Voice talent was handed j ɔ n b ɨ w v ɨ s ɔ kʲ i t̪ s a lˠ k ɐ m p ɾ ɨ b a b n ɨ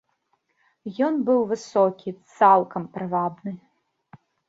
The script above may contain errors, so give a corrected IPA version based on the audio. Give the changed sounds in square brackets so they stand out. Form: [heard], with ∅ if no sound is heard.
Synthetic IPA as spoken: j ɔ n b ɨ w v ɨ s ɔ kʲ i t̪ s a lˠ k ɐ m p ɾ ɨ [v] a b n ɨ